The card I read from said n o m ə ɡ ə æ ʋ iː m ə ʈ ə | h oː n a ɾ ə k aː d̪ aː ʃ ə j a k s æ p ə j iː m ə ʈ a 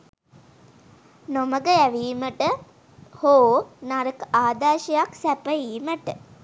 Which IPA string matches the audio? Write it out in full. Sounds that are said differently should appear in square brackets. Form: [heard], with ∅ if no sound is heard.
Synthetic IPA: n o m ə ɡ ə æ ʋ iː m ə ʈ ə | h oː n a ɾ ə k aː d̪ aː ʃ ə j a k s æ p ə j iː m ə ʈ [ə]

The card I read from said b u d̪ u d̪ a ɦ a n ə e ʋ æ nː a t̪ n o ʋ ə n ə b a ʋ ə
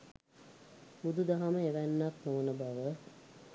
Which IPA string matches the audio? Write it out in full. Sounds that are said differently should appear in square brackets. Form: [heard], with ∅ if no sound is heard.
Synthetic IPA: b u d̪ u d̪ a ɦ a [m] ə e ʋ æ nː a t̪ n o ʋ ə n ə b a ʋ ə

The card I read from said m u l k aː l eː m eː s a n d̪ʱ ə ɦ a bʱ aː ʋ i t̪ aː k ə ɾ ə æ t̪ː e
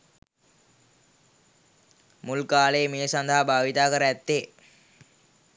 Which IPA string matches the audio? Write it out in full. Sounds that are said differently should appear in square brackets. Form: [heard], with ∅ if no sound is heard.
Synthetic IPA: m u l k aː l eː m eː s a n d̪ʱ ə ɦ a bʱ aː ʋ i t̪ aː k ə ɾ ə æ t̪ː e

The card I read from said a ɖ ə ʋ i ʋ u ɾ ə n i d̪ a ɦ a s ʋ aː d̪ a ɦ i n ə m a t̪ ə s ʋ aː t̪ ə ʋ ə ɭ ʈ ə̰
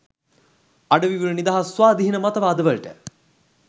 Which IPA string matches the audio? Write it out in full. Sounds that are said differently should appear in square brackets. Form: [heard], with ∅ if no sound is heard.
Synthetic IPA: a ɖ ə ʋ i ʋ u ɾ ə n i d̪ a ɦ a s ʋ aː d̪ [i] ɦ i n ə m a t̪ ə [∅] ʋ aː [d̪] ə ʋ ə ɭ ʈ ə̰

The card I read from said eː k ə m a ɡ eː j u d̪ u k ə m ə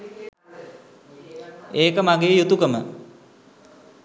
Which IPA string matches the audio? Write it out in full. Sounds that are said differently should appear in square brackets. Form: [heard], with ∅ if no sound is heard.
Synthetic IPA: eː k ə m a ɡ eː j u [t̪] u k ə m ə

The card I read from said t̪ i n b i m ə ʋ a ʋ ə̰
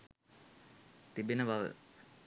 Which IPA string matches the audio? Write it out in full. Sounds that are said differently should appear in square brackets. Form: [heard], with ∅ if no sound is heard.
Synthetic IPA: t̪ i [∅] b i [n] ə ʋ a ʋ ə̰

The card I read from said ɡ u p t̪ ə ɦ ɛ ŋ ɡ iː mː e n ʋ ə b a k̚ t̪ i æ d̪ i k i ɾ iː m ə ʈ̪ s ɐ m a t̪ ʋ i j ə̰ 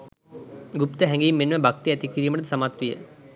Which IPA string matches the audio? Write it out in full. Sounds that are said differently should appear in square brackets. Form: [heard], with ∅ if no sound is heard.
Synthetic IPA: ɡ u p t̪ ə ɦ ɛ ŋ ɡ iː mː e n ʋ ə b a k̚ t̪ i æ [t̪] i k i ɾ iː m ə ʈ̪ s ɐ m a t̪ ʋ i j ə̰

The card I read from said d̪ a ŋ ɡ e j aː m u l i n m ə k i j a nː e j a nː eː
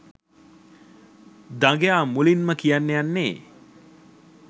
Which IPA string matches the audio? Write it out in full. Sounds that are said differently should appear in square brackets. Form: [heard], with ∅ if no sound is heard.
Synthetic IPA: d̪ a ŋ ɡ e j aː m u l i n m ə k i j a nː e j a nː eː

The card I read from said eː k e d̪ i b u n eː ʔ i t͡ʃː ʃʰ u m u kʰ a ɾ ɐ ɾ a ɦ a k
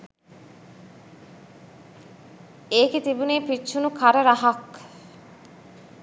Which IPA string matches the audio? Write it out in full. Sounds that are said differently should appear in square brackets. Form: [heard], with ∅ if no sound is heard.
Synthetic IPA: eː k e [t̪] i b u n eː [p] i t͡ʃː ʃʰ u [n] u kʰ a ɾ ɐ ɾ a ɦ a k

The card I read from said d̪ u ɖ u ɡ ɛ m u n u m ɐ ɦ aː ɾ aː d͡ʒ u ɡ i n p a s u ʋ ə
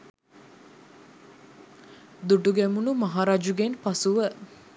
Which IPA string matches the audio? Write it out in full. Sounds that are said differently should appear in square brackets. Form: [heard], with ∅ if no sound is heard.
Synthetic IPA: d̪ u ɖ u ɡ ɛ m u n u m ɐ ɦ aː ɾ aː d͡ʒ u ɡ [e] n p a s u ʋ ə

